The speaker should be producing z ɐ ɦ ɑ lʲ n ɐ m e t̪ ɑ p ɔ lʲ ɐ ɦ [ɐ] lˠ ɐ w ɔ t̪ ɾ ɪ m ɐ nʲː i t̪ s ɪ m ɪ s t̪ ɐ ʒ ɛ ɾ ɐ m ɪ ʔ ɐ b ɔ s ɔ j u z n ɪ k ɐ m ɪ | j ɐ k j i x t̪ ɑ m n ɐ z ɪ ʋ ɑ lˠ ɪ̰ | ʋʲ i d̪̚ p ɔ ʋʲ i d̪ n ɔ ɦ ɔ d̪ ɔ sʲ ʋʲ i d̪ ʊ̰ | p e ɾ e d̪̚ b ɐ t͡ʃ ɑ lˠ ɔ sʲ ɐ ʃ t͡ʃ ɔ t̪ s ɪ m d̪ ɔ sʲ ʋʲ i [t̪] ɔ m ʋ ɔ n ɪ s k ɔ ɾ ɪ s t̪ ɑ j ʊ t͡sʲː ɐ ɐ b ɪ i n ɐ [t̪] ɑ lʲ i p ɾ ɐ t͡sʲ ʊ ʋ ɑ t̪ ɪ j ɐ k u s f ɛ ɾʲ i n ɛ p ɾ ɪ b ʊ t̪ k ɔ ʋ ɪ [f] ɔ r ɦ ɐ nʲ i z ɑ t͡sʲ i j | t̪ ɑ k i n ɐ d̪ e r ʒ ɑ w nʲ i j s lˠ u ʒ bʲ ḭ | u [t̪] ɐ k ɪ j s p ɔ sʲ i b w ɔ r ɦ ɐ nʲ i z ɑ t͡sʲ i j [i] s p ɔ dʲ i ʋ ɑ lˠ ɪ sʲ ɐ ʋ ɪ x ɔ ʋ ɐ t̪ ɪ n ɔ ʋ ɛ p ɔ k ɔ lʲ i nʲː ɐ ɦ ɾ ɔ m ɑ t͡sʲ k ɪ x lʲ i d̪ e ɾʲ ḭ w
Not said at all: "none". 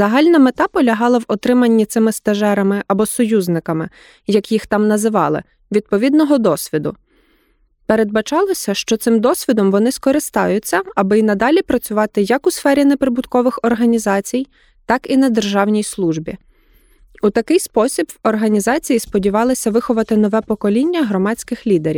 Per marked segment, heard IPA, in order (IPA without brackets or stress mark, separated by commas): ɑ, d̪, d̪, x, t̪, i